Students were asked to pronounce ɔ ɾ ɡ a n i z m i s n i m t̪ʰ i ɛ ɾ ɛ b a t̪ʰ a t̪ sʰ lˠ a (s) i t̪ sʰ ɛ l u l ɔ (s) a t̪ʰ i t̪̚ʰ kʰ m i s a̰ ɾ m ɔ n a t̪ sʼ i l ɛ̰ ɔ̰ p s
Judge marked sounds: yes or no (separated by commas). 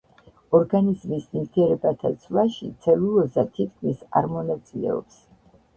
no, no